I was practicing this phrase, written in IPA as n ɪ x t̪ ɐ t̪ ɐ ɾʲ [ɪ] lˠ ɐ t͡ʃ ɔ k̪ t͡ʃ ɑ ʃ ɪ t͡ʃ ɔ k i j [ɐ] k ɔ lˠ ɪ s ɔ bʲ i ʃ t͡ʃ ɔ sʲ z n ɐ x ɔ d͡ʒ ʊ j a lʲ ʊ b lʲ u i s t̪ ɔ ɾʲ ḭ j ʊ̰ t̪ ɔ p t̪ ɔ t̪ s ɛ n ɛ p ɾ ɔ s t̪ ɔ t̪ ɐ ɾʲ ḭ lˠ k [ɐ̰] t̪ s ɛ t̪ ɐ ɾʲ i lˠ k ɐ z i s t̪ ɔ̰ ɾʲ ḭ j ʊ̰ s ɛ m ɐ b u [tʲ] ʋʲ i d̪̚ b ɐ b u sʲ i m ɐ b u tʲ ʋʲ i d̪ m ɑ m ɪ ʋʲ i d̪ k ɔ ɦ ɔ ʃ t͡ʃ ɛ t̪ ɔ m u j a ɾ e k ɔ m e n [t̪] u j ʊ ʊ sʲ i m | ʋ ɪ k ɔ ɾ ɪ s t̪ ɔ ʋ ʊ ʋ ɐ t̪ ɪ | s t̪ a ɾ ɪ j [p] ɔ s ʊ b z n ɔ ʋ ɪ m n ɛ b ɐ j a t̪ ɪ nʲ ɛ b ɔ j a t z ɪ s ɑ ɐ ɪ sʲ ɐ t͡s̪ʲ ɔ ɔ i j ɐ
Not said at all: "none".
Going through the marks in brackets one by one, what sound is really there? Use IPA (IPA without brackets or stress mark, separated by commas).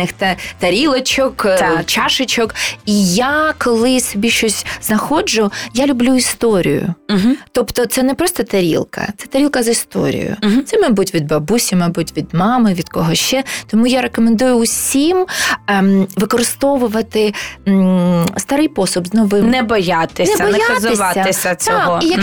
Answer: i, a, ɐ̰, tʲ, d̪, p